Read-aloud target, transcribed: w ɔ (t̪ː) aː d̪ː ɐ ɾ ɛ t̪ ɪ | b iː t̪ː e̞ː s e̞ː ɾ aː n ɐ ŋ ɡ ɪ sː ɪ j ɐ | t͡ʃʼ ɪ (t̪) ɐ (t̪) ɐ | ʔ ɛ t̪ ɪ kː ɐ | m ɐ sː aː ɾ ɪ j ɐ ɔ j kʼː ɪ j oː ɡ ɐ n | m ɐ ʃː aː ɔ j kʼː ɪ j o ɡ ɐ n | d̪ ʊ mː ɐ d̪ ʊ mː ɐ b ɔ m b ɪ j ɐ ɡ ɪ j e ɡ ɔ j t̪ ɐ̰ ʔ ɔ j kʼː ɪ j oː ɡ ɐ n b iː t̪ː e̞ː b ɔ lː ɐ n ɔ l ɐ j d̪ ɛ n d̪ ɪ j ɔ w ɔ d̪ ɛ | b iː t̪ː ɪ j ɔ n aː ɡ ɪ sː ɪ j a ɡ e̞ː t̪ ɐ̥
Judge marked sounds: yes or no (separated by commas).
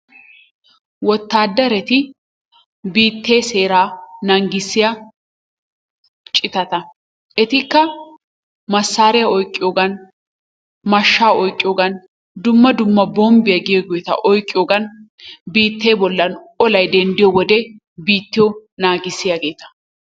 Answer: yes, yes, yes